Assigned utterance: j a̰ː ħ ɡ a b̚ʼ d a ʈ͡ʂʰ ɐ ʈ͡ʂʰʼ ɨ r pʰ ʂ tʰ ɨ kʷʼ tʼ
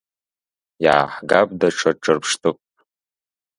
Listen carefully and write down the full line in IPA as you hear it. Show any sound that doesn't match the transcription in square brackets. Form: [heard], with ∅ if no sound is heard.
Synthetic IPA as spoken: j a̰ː ħ ɡ a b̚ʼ d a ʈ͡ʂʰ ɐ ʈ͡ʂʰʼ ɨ r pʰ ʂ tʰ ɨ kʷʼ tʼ